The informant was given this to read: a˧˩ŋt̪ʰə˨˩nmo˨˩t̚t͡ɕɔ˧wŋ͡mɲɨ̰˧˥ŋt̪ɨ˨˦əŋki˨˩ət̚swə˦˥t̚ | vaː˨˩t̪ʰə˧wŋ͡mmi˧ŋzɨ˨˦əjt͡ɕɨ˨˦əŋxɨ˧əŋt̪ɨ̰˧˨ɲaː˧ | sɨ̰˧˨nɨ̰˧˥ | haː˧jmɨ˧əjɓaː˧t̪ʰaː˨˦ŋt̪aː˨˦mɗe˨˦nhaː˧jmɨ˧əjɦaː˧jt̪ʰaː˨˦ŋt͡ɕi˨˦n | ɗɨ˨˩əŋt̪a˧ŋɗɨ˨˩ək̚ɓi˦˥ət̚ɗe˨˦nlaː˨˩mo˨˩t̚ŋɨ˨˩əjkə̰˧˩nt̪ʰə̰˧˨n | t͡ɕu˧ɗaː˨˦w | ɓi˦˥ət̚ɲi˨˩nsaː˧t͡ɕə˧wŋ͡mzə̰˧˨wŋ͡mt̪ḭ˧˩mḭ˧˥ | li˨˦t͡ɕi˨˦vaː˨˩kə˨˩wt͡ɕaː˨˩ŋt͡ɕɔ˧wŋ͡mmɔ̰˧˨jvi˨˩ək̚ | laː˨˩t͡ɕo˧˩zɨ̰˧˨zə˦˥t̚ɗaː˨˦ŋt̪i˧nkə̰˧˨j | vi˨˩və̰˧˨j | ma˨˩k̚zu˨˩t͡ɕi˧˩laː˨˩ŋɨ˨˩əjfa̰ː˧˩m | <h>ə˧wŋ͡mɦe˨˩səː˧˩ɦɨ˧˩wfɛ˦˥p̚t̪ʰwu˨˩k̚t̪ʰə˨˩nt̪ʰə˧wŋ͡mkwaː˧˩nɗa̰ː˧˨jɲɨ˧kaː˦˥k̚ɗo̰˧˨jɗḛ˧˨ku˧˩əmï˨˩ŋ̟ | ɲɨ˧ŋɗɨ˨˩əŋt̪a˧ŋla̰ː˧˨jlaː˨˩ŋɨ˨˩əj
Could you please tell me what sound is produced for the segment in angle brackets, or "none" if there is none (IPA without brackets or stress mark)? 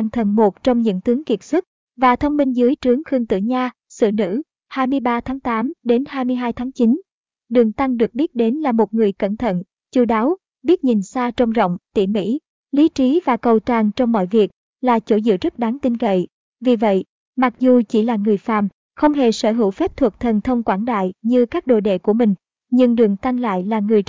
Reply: x